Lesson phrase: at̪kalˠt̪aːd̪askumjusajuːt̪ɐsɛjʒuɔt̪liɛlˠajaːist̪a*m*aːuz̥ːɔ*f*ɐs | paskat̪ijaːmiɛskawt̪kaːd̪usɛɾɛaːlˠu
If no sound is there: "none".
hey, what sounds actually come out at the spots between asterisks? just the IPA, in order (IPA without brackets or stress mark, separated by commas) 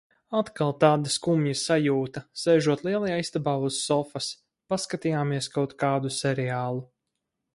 b, f